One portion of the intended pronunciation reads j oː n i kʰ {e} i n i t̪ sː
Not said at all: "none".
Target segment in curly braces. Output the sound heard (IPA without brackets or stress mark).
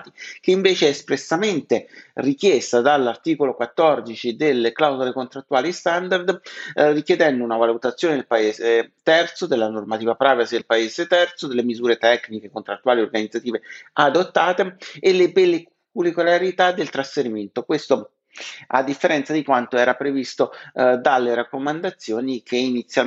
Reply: e